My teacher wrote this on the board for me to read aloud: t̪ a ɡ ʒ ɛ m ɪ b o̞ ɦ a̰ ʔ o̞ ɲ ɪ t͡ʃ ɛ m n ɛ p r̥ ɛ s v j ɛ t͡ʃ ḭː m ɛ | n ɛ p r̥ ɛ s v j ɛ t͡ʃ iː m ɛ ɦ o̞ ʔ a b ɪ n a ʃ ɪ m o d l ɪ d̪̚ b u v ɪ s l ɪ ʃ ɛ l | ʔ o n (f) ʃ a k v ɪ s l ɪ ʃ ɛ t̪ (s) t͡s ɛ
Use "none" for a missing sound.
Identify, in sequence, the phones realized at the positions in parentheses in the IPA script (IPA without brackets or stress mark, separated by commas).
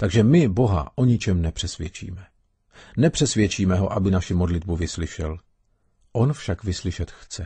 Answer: f, x